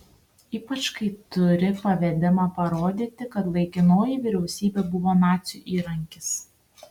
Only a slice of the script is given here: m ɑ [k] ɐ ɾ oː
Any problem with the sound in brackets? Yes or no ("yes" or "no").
yes